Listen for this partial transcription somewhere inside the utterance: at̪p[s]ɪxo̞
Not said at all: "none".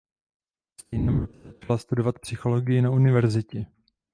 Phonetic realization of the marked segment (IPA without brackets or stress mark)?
s